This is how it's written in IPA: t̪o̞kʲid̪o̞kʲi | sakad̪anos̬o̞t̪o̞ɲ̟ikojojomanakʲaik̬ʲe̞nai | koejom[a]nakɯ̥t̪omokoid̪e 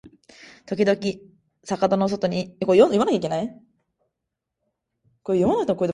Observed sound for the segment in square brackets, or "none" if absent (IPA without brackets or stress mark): a